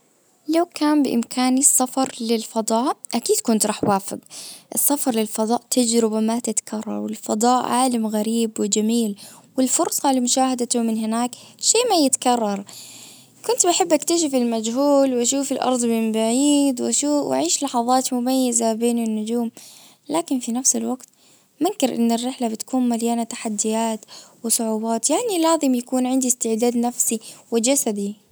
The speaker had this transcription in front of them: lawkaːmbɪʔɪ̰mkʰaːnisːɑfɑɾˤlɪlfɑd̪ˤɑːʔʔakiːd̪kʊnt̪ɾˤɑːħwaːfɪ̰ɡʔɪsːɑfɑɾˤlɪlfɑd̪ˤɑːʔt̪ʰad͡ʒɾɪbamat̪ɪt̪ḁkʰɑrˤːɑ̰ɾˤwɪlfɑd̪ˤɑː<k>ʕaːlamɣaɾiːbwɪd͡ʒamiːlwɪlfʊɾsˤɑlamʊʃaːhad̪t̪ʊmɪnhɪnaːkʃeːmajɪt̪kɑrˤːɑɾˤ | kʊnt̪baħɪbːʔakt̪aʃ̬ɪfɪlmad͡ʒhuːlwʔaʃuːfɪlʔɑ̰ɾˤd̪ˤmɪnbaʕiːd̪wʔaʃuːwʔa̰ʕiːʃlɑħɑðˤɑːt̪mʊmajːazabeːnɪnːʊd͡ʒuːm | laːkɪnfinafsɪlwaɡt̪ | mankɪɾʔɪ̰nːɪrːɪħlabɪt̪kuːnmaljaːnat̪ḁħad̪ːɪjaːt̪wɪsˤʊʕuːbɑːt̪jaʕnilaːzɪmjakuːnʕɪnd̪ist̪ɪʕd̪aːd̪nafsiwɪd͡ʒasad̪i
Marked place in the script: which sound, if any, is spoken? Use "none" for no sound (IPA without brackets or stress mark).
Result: ʔ